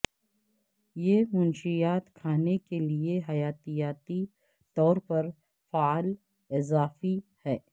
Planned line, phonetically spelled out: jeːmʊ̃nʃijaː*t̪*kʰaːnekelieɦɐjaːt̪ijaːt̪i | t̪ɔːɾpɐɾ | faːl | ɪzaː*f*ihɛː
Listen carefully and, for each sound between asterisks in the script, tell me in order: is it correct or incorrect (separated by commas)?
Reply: correct, correct